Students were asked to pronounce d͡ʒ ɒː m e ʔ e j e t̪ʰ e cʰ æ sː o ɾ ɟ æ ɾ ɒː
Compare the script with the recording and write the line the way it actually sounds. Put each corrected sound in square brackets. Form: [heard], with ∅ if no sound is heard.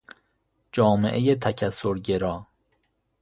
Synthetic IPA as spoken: d͡ʒ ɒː m e ʔ e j e t̪ʰ [æ] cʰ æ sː o ɾ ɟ [e] ɾ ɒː